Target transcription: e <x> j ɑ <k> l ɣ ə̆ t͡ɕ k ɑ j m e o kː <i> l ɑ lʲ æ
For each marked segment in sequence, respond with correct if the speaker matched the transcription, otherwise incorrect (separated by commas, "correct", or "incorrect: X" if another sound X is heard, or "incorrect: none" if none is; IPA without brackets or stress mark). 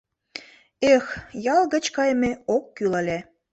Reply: correct, incorrect: none, incorrect: y